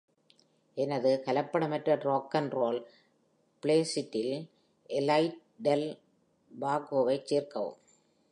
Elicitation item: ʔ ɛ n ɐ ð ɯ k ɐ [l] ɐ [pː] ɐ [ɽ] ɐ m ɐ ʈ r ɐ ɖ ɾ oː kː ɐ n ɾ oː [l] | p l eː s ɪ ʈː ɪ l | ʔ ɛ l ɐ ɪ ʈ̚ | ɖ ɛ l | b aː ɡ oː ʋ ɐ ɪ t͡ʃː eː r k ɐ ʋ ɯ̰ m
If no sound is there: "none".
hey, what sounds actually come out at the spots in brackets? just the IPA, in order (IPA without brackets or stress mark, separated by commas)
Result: l, pː, ɽ, l